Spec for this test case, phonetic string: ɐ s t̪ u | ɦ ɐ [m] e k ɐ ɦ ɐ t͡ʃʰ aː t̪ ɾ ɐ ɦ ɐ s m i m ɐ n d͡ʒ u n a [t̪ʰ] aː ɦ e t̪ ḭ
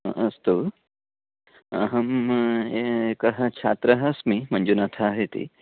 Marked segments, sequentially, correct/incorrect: correct, correct

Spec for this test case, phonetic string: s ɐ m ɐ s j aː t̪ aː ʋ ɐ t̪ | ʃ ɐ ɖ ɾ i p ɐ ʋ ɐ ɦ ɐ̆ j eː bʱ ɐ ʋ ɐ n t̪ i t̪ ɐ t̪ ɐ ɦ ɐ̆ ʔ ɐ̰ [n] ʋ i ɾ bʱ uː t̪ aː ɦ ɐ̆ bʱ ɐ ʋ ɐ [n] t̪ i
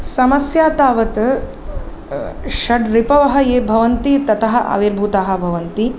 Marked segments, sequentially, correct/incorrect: incorrect: none, correct

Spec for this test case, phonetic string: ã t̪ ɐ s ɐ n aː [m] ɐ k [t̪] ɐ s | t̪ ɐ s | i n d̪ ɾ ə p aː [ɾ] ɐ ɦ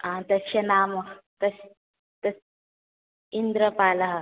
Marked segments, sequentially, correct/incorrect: correct, correct, incorrect: l

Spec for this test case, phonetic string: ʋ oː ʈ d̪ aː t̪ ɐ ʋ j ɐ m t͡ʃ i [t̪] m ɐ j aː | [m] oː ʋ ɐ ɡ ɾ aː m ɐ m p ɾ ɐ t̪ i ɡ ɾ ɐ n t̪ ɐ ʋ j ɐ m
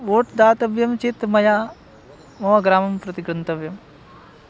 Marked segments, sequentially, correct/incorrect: correct, correct

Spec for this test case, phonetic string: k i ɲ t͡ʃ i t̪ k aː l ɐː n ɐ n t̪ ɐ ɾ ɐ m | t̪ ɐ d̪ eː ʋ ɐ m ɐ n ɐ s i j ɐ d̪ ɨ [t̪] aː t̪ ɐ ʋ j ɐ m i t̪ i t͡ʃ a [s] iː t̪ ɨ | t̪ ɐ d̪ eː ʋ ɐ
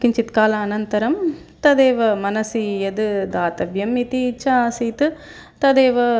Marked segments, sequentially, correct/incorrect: incorrect: d̪, correct

